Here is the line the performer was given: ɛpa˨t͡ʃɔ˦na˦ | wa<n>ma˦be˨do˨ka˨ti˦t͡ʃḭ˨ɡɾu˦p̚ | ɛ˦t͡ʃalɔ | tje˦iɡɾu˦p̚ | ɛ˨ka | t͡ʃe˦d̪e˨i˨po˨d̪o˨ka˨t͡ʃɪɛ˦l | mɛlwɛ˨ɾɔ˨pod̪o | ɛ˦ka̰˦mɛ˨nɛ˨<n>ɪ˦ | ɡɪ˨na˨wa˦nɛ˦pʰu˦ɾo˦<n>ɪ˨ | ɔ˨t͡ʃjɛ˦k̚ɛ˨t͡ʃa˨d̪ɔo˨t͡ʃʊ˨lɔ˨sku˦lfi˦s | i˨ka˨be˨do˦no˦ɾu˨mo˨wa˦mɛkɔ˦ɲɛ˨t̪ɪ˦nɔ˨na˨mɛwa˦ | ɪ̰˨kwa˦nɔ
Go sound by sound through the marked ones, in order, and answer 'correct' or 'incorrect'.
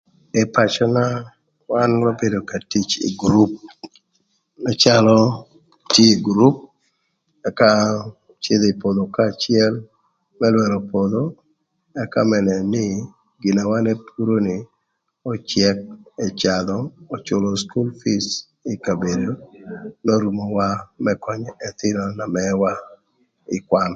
correct, correct, correct

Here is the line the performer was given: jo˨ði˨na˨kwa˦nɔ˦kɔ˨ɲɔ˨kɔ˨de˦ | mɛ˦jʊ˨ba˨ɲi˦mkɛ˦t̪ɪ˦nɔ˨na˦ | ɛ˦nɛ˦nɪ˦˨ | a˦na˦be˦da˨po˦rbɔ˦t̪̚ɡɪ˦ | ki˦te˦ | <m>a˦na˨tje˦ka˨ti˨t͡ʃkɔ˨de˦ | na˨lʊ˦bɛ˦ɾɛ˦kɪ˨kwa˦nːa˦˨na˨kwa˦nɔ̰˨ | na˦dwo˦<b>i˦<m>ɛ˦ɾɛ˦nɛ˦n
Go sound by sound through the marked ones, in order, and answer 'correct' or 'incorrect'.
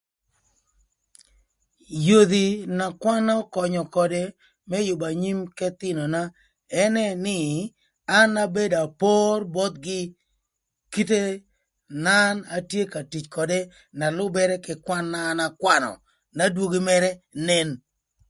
incorrect, incorrect, correct

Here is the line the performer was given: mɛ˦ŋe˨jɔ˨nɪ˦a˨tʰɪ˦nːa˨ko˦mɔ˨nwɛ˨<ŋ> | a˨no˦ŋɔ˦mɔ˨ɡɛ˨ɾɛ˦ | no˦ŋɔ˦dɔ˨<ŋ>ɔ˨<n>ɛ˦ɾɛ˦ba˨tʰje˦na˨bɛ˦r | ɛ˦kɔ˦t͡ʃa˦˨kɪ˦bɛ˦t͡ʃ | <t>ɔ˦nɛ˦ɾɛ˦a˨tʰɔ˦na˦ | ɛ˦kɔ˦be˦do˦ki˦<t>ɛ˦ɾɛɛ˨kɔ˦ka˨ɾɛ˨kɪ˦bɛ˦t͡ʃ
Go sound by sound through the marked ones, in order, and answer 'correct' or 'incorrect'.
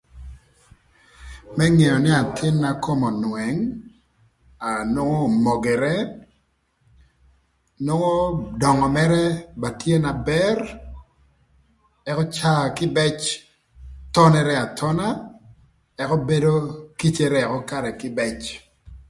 correct, correct, incorrect, correct, incorrect

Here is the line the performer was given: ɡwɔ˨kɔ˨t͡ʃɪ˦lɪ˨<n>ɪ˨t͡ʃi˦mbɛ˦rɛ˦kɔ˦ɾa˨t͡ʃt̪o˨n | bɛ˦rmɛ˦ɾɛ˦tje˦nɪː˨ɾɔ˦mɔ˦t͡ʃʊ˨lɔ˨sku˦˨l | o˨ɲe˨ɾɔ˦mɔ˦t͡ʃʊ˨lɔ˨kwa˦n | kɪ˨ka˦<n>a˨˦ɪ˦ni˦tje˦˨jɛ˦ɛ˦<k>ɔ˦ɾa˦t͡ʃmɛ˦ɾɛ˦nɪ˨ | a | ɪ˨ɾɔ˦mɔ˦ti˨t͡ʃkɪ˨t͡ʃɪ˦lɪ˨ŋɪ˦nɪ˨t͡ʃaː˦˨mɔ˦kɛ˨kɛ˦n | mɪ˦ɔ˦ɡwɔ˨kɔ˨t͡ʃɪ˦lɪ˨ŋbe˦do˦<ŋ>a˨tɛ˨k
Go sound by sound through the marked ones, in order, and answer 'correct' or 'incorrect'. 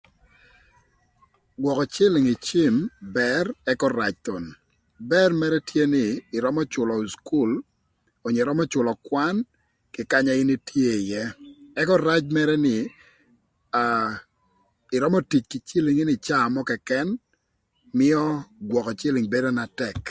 incorrect, incorrect, correct, incorrect

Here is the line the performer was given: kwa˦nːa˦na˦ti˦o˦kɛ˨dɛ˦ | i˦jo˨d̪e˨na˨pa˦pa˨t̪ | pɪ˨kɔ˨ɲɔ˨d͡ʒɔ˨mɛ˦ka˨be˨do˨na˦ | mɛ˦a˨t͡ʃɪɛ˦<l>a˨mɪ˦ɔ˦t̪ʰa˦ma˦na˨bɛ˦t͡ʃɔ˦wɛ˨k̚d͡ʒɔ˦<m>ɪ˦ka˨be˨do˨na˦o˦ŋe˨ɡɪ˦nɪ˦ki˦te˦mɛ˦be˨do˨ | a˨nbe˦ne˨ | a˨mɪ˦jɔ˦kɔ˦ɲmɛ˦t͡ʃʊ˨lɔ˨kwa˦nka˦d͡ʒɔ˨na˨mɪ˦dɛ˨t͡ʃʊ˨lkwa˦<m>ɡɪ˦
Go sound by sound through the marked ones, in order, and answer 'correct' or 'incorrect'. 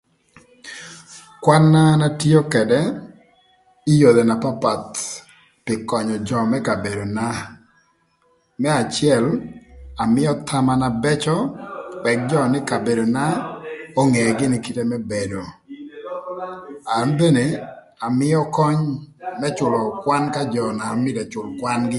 correct, incorrect, incorrect

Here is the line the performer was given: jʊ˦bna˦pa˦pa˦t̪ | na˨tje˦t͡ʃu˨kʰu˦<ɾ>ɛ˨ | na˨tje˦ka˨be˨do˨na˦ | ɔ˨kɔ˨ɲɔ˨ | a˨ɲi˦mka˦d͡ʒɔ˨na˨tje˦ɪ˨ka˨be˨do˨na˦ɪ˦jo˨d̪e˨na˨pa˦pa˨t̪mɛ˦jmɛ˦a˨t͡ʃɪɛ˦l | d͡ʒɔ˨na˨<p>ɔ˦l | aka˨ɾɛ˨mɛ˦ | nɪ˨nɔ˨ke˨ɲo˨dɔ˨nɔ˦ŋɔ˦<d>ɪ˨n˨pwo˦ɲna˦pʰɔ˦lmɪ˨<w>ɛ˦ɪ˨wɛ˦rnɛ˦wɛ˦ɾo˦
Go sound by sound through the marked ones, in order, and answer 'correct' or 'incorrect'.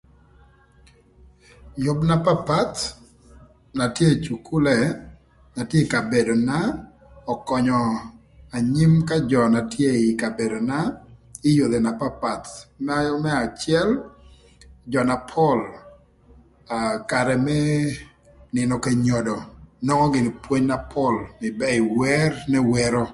incorrect, incorrect, incorrect, incorrect

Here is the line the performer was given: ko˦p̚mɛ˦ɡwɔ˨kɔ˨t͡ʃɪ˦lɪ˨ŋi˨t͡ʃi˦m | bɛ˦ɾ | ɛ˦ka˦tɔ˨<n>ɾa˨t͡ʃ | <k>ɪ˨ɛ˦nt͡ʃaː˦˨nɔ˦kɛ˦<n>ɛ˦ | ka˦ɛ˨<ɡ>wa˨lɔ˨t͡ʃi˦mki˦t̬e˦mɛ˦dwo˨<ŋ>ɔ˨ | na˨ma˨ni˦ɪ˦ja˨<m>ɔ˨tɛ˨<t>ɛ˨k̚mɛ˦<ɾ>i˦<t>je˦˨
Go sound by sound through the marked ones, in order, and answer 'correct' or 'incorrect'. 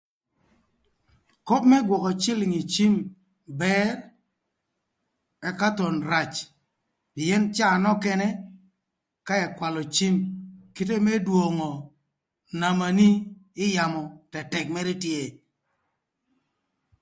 correct, incorrect, correct, incorrect, correct, correct, correct, correct, correct

